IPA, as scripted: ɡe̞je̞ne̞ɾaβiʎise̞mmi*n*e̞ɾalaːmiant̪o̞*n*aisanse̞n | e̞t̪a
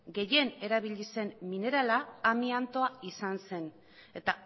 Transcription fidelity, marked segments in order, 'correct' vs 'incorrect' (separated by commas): correct, incorrect